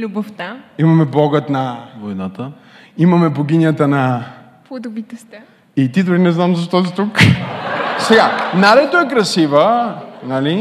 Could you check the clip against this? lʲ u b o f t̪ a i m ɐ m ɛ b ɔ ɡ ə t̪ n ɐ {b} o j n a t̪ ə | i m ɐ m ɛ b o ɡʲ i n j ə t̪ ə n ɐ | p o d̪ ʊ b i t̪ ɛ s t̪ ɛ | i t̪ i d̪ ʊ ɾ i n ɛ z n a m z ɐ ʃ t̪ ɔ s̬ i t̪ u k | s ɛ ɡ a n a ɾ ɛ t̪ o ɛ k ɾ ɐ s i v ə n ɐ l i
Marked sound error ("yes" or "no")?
yes